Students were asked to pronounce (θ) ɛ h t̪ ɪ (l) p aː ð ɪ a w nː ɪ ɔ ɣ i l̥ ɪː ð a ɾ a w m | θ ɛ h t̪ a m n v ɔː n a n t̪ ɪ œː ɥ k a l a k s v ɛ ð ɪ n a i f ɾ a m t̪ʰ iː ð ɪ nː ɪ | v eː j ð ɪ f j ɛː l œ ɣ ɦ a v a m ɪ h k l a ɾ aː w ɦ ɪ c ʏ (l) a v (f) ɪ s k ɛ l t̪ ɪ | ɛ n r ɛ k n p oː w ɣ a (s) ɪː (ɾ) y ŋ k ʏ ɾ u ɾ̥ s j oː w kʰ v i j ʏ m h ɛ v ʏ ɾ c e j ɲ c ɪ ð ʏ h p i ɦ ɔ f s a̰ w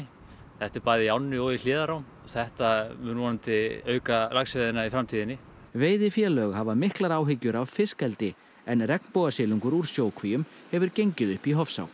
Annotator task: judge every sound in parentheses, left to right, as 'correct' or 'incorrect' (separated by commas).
correct, incorrect, incorrect, correct, correct, incorrect